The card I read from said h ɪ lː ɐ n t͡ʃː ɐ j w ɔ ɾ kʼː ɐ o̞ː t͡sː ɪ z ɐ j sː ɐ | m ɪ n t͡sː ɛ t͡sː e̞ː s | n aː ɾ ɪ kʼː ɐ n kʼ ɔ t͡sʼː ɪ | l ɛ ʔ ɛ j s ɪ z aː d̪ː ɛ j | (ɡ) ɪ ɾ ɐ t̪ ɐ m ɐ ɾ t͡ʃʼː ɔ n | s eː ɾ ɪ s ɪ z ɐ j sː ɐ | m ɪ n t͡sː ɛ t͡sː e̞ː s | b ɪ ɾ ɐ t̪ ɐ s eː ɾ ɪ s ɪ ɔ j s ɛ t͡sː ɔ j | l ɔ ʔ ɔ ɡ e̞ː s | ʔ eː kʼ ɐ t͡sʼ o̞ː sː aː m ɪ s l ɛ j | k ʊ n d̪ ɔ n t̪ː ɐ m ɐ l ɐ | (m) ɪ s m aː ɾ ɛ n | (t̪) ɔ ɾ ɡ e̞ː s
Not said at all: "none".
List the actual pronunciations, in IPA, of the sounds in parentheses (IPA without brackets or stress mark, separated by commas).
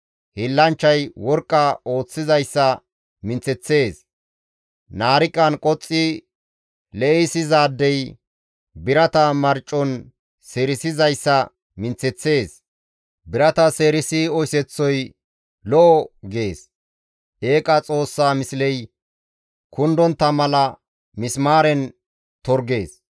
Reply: b, m, t̪